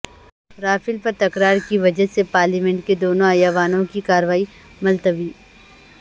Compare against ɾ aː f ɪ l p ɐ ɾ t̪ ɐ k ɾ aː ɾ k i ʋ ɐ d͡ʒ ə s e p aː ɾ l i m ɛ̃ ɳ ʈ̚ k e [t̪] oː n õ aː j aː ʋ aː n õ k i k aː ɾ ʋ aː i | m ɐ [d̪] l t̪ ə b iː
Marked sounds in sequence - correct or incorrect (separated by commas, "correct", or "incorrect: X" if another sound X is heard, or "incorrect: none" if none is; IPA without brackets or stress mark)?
incorrect: d̪, incorrect: none